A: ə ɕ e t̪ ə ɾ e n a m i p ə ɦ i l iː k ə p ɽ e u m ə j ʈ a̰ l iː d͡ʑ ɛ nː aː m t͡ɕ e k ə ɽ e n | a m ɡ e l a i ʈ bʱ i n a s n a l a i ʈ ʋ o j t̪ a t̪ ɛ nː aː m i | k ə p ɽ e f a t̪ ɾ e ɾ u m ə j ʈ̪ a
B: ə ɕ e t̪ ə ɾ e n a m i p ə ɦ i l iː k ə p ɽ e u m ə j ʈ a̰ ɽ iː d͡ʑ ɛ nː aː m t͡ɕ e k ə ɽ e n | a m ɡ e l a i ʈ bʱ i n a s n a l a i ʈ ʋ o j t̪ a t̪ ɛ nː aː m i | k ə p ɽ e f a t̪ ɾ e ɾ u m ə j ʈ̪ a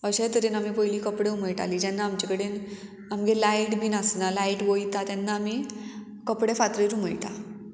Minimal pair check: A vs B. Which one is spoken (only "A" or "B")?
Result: A